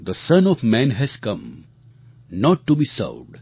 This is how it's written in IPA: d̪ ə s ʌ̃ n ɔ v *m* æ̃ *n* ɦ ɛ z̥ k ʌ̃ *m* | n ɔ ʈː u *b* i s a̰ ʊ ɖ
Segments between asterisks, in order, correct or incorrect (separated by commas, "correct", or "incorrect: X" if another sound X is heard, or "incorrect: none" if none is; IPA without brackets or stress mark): correct, correct, correct, correct